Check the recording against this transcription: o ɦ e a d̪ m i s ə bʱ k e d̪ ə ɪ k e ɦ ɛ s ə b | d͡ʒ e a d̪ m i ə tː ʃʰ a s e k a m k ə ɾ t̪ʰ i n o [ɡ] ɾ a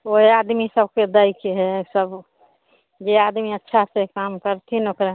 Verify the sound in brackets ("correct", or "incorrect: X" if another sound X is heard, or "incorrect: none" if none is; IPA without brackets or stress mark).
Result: incorrect: k